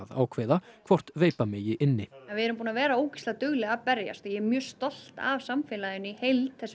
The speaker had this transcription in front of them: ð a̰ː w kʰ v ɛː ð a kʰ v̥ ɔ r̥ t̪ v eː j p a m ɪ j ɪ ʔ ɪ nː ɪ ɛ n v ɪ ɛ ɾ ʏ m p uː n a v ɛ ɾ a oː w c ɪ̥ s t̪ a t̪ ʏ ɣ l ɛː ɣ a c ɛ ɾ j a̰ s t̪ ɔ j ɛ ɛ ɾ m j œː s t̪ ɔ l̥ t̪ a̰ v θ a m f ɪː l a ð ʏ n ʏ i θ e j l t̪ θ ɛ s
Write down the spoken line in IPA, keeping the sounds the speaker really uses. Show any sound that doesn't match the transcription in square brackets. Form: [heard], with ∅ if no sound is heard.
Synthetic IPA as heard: ð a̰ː w kʰ v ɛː ð a kʰ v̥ ɔ r̥ t̪ v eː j p a m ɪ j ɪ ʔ ɪ nː ɪ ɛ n v ɪ ɛ ɾ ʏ m p uː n a v [ɛː] ɾ a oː w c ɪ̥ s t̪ a t̪ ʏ ɣ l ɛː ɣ a [p] ɛ ɾ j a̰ s t̪ ɔ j ɛ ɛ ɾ m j œː s t̪ ɔ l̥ t̪ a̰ v [s] a m f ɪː l a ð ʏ n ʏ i [h] e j l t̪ θ ɛ s